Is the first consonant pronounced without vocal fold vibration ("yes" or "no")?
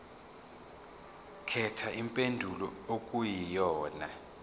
yes